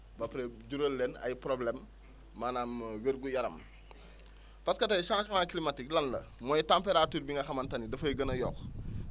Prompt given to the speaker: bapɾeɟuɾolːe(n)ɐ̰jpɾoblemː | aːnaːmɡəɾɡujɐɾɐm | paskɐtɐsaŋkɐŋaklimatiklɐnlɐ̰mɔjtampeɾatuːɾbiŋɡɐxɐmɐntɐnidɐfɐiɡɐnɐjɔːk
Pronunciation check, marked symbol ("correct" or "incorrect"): correct